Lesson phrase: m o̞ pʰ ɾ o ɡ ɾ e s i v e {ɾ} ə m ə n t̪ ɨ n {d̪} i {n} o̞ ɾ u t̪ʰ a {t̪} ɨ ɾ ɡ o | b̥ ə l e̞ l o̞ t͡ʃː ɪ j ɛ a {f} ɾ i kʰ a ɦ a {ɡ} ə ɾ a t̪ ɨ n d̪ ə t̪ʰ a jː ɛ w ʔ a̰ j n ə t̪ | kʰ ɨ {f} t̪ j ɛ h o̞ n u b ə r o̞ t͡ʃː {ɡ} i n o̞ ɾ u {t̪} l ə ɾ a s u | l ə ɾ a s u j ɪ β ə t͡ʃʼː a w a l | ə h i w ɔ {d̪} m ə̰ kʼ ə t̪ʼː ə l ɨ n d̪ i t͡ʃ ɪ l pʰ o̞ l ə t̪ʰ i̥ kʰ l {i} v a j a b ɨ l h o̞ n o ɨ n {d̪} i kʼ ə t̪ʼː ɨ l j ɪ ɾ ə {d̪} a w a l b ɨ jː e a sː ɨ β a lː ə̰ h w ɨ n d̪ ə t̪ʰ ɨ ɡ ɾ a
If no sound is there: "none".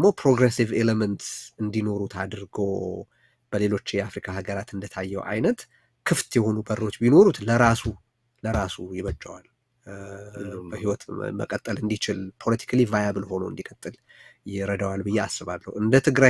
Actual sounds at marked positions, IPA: l, d̪, n, d̪, f, ɡ, f, b, t̪, t̪, i, d̪, d̪

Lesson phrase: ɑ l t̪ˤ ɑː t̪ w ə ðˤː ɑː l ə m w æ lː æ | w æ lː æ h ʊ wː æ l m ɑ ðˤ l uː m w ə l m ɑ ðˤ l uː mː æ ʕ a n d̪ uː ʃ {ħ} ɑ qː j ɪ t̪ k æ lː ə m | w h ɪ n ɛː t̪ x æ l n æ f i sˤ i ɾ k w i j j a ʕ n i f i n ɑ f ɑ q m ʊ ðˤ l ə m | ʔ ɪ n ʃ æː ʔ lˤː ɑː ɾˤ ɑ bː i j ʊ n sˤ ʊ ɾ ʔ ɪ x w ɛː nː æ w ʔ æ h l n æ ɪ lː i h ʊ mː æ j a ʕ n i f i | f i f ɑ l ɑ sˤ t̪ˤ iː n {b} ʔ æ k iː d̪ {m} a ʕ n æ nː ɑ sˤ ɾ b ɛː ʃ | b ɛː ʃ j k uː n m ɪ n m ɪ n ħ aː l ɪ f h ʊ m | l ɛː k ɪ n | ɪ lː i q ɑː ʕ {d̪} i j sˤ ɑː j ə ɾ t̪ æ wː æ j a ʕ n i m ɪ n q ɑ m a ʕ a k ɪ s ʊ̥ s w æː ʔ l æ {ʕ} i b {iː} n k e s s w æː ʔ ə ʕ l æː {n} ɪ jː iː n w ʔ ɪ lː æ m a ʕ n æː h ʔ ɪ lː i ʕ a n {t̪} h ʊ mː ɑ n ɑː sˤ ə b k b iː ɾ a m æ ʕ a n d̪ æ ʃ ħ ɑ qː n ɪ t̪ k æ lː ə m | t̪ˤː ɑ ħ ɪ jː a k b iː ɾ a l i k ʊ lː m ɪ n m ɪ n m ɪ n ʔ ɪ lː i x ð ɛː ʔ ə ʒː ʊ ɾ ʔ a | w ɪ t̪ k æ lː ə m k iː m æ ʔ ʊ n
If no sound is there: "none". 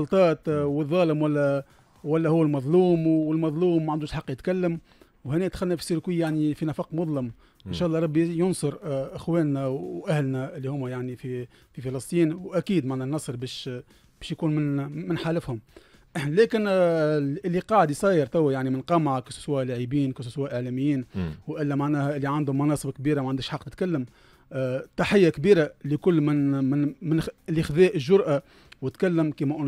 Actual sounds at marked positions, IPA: ħ, w, m, d̪, ʕ, iː, m, d̪

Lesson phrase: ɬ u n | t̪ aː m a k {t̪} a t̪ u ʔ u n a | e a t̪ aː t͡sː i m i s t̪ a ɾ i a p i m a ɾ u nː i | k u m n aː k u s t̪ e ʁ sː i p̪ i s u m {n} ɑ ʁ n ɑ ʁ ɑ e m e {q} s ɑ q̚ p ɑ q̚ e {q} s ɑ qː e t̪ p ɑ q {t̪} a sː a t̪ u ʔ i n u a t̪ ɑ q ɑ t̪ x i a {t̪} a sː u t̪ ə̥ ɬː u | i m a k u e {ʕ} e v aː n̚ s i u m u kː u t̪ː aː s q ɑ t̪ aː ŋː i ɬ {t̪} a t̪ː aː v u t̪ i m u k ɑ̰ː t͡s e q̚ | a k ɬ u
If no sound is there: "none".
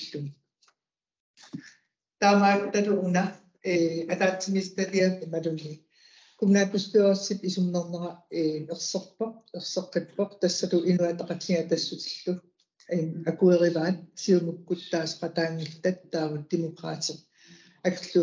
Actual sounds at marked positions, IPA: t̪, n, q, q, t̪, t̪, ʁ, t̪

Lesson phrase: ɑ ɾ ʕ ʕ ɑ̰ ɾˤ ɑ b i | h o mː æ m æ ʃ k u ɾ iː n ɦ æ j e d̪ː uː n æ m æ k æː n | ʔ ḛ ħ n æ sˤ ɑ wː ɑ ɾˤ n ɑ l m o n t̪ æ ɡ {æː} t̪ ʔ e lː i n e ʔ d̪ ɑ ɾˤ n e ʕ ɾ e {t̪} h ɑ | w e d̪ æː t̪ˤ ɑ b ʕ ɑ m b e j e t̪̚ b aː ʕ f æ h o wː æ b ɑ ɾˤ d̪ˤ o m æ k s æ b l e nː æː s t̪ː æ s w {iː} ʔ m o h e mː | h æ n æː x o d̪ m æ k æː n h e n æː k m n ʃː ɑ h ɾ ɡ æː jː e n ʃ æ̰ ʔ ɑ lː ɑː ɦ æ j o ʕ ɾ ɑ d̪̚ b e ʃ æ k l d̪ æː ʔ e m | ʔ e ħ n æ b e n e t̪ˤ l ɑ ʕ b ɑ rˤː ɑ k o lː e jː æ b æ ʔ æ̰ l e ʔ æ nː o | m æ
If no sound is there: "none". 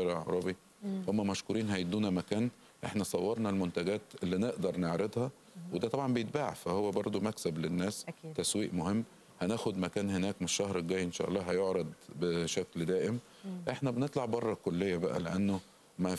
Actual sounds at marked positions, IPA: æː, d̪, iː

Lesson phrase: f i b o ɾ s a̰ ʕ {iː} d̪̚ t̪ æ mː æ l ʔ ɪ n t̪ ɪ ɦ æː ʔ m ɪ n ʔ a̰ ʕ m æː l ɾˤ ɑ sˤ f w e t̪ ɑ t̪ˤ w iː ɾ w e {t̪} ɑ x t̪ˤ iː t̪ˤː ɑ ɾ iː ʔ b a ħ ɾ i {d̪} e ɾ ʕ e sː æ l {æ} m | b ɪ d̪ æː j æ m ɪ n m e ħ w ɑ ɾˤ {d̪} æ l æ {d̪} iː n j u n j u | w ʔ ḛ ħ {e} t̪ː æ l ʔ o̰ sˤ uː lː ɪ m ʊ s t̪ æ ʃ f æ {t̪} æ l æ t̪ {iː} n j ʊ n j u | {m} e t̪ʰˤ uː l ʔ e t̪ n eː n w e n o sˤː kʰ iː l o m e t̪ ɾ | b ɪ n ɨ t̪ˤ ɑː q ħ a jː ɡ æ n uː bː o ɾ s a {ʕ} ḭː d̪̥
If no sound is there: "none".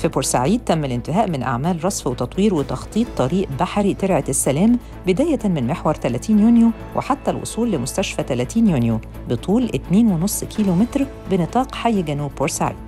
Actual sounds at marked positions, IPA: iː, t̪, t̪, æː, t̪, t̪, a, t̪, iː, b, ʕ

